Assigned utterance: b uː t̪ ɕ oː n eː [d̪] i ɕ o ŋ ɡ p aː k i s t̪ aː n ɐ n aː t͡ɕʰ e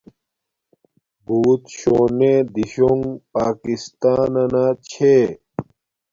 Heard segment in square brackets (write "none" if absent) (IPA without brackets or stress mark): d̪